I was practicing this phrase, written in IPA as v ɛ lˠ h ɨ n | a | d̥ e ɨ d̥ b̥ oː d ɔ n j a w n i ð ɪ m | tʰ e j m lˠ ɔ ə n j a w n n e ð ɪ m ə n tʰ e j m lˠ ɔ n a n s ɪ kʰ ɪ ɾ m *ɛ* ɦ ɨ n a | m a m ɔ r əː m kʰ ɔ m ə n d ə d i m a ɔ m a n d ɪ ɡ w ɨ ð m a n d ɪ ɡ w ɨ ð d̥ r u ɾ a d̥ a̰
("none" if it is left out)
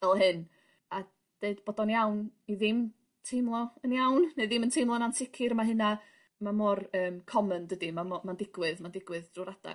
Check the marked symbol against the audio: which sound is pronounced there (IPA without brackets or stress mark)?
a